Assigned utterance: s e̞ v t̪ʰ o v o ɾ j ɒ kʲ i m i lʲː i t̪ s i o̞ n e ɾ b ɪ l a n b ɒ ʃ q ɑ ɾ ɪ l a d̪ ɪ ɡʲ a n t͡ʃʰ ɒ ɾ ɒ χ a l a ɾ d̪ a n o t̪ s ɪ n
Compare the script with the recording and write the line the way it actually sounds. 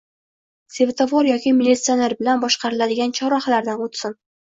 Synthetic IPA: s e̞ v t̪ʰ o v o ɾ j ɒ kʲ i m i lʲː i t̪ s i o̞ n e ɾ b ɪ l a n b ɒ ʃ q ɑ ɾ ɪ l a d̪ ɪ ɡʲ a n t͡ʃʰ ɒ ɾ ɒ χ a l a ɾ d̪ a n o t̪ s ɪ n

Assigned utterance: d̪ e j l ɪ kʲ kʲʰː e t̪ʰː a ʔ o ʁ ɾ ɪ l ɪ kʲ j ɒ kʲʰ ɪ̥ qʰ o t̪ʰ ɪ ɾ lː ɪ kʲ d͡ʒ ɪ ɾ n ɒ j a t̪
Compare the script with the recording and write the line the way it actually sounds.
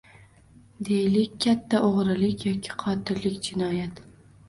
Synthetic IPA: d̪ e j l ɪ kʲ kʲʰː a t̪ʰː a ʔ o ʁ ɾ ɪ l ɪ kʲ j ɒ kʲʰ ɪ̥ qʰ ɒ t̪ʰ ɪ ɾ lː ɪ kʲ d͡ʒ ɪ n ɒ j a t̪

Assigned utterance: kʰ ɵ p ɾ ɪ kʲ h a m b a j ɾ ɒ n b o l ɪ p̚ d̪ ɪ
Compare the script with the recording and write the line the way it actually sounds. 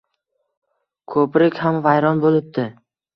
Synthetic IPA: kʰ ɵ p ɾ ɪ kʲ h a m v a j ɾ ɒ n b o l ɪ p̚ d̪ ɪ

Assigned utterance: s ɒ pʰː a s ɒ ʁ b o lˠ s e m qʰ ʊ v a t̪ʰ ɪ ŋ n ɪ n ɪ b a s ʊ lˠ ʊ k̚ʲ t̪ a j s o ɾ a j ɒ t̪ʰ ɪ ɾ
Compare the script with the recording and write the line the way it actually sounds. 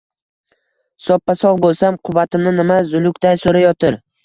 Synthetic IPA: s ɒ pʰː a s ɒ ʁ b o lˠ s a m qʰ ʊ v a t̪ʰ ɪ m n ɪ n ɪ m a z ʊ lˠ ʊ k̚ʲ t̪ a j s o ɾ a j ɒ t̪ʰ ɪ ɾ

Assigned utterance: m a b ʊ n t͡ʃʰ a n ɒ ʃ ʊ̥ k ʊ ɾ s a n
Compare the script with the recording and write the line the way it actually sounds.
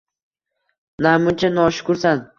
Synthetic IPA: n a m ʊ n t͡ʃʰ a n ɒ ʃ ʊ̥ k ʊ ɾ s a n

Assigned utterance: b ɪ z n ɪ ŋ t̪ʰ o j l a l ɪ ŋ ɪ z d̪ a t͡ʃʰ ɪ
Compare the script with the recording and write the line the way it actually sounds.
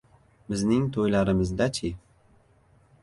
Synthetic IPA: b ɪ z n ɪ ŋ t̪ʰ o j l a ɾ ɪ m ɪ z d̪ a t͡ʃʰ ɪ

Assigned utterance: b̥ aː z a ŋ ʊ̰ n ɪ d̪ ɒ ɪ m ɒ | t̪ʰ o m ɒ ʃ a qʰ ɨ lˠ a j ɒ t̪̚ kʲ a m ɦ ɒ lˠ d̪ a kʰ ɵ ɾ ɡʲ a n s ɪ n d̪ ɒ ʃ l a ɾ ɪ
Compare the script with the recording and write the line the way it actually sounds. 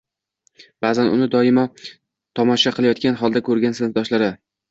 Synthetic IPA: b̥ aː z a n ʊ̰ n ɪ d̪ ɒ ɪ m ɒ | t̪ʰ ɒ m ɒ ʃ a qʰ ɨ lˠ a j ɒ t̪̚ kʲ a n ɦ ɒ lˠ d̪ a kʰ ɵ ɾ ɡʲ a n s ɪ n d̪ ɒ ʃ l a ɾ ɪ

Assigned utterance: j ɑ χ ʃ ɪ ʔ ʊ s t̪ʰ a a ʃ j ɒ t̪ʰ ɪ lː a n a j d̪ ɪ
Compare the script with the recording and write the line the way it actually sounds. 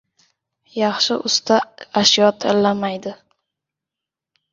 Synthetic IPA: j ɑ χ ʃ ɪ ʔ ʊ s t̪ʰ a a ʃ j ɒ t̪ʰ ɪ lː a m a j d̪ ɪ

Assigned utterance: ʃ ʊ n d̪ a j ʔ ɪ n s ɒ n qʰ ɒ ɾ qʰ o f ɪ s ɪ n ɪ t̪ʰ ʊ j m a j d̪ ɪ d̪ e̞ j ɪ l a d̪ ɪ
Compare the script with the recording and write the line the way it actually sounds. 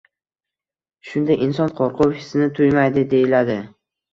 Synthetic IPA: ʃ ʊ n d̪ a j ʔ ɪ n s ɒ n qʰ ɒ ɾ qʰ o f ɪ s ɪ n ɪ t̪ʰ ʊ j m a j d̪ ɪ d̪ e̞ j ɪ l a d̪ ɪ

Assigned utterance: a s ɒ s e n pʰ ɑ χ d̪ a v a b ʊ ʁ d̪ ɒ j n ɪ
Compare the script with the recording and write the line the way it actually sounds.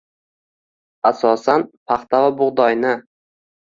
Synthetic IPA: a s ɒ s a n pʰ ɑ χ t̪ a v a b ʊ ʁ d̪ ɒ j n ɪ

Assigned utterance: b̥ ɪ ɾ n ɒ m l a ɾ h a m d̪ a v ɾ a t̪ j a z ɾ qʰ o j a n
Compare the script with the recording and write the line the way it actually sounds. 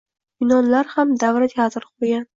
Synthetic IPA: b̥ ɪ n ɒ n l a ɾ h a m d̪ a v ɾ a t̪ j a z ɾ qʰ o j a n

